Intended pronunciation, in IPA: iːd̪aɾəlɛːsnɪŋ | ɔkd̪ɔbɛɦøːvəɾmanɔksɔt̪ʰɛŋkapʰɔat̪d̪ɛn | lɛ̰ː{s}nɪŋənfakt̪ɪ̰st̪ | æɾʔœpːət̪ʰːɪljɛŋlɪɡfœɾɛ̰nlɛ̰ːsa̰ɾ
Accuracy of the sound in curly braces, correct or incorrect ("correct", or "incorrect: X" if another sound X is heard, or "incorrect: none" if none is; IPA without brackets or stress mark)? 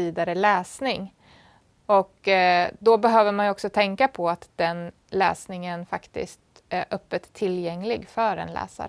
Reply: correct